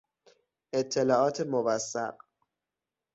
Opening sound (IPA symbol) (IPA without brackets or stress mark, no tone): e